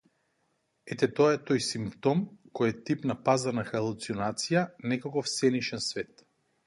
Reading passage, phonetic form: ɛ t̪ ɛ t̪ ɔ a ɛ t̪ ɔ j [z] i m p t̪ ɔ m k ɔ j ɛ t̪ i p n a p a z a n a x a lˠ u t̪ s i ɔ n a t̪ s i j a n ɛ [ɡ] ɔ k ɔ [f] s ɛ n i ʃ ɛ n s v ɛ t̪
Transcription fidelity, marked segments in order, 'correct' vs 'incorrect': incorrect, incorrect, correct

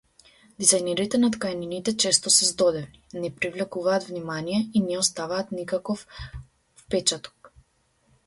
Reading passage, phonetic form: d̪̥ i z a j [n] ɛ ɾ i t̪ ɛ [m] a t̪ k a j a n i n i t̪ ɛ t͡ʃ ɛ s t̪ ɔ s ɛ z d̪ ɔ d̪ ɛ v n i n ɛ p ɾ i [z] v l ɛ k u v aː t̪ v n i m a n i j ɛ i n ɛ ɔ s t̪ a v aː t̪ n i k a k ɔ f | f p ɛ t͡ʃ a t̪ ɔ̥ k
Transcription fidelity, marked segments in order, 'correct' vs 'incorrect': correct, incorrect, incorrect

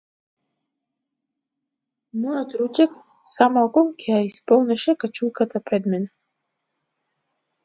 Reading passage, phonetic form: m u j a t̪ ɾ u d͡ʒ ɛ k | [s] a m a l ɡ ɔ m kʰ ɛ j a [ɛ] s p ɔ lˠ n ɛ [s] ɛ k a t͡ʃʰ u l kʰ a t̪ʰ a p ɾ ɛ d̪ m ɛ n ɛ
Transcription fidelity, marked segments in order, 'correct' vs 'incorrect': correct, incorrect, incorrect

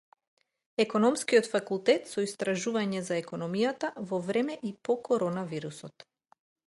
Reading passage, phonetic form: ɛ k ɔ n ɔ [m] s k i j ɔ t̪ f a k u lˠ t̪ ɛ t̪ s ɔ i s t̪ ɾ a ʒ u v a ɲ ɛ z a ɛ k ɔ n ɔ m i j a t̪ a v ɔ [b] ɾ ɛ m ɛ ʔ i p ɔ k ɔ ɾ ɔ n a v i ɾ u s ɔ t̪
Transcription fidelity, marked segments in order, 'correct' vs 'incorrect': correct, incorrect

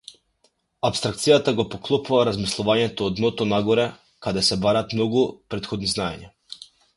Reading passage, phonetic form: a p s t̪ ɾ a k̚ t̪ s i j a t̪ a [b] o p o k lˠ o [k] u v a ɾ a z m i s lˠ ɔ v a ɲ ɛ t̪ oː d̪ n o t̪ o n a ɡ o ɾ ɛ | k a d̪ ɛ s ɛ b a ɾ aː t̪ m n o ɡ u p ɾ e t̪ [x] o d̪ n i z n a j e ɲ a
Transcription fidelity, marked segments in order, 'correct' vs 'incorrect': incorrect, incorrect, correct

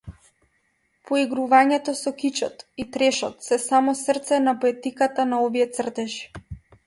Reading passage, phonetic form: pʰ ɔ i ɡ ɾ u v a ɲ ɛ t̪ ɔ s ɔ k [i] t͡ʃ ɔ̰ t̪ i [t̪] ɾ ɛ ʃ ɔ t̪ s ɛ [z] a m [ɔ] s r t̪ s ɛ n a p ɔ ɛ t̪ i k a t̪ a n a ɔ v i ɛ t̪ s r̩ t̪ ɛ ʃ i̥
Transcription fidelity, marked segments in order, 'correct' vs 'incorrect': correct, correct, incorrect, correct

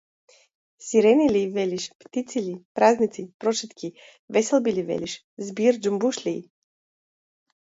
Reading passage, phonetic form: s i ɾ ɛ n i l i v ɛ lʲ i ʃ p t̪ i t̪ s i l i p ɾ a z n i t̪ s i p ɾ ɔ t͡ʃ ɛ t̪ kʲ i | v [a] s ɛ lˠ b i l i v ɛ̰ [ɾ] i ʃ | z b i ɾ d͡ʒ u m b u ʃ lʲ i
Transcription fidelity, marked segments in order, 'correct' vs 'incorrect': incorrect, incorrect

